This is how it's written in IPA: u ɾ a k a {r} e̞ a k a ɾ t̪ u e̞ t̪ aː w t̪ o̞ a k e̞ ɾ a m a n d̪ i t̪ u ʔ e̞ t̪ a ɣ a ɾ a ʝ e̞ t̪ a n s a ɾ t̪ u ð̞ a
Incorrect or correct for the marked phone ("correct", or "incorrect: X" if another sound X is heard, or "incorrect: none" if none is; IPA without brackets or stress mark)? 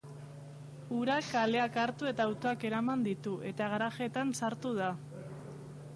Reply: incorrect: l